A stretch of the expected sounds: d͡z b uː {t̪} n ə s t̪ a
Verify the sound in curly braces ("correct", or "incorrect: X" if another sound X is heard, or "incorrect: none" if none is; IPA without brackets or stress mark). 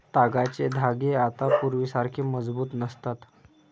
correct